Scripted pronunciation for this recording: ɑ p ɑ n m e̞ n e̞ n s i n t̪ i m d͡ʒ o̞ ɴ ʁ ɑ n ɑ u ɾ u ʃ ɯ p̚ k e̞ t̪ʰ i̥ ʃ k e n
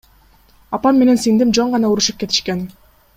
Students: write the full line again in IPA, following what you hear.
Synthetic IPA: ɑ p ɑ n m e̞ n e̞ n s i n d̪ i m d͡ʒ o̞ ɴ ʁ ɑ n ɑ u ɾ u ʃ ɯ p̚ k e̞ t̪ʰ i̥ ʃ k e n